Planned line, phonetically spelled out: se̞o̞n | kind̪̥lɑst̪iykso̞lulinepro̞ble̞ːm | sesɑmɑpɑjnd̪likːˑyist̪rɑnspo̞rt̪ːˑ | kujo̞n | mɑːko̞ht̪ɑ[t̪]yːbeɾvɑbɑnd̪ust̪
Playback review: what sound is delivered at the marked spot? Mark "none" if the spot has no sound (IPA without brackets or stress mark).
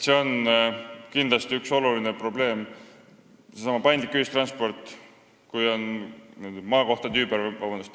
t̪